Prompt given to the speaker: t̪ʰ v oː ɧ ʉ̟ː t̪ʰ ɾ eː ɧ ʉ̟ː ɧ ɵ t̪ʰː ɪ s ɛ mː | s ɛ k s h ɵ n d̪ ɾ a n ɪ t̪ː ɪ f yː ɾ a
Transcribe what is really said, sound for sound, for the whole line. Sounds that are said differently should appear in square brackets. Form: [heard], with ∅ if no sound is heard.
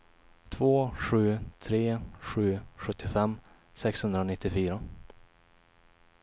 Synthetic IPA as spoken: t̪ʰ v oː ɧ ʉ̟ː t̪ʰ ɾ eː ɧ ʉ̟ː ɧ ɵ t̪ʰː ɪ [f] ɛ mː | s ɛ k s h ɵ n d̪ ɾ a n ɪ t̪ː ɪ f yː ɾ a